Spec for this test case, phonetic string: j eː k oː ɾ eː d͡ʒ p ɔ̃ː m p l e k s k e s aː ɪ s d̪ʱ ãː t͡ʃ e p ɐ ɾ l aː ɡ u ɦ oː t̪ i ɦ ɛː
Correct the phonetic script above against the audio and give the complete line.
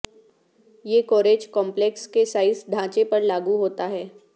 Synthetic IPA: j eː k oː ɾ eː d͡ʒ k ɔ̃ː m p l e k s k e s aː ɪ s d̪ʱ ãː t͡ʃ e p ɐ ɾ l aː ɡ u ɦ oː t̪ a ɦ ɛː

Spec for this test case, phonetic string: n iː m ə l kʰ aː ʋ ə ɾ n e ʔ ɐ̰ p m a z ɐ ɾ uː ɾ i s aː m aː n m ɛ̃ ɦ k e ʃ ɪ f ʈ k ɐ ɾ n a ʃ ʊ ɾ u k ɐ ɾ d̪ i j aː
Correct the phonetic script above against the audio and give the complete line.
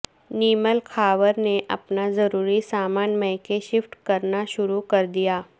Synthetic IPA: n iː m ə l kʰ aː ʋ ə ɾ n e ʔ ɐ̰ p n a z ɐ ɾ uː ɾ i s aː m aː n m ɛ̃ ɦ k e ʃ ɪ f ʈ k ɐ ɾ n a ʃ ʊ ɾ u k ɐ ɾ d̪ i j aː

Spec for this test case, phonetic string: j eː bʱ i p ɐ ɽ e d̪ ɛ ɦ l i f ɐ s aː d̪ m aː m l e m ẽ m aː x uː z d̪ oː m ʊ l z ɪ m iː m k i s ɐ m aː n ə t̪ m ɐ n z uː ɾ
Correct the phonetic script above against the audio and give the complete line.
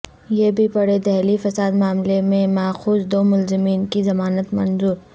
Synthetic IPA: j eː bʱ i p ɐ ɽ e d̪ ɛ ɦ l i f ɐ s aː d̪ m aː m l e m ẽ m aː x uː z d̪ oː m ʊ l z ɪ m iː n k i z ɐ m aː n ə t̪ m ɐ n z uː ɾ

